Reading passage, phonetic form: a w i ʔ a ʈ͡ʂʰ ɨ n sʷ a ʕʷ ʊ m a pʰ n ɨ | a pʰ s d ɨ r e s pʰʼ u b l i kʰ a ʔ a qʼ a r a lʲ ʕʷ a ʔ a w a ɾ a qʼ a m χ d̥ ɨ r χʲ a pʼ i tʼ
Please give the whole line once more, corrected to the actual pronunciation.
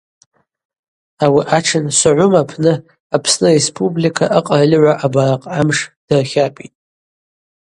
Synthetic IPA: a w i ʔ a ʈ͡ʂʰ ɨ n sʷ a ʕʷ ʊ m a pʰ n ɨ | a pʰ s n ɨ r e s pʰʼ u b l i kʰ a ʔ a qʼ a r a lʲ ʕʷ a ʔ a b a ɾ a qʼ a m ʂ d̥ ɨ r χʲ a pʼ i tʼ